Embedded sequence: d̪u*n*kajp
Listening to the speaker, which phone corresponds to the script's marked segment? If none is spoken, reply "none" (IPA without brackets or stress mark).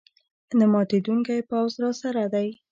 ŋ